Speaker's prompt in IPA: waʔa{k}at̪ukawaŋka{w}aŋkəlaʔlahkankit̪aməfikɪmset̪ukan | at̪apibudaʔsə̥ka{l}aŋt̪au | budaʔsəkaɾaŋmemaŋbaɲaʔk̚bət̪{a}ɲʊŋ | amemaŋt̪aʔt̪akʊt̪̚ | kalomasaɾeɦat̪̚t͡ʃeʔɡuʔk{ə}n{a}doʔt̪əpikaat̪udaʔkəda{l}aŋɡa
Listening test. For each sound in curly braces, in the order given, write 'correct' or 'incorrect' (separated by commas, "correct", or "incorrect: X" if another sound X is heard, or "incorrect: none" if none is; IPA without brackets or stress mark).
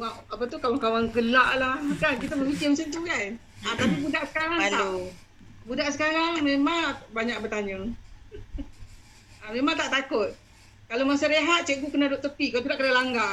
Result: incorrect: p, correct, incorrect: ɾ, correct, correct, correct, correct